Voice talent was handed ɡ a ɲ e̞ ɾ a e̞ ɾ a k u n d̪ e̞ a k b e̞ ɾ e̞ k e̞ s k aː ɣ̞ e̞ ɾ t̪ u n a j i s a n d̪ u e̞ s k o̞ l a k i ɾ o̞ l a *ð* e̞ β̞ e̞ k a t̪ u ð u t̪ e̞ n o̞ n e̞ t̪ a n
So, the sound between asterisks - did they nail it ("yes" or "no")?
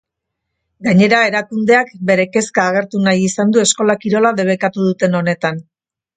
yes